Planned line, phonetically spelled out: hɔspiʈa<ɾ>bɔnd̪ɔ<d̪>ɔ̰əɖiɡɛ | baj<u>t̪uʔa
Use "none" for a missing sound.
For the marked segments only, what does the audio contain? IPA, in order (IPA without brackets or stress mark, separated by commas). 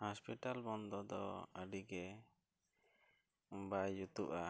l, d̪, u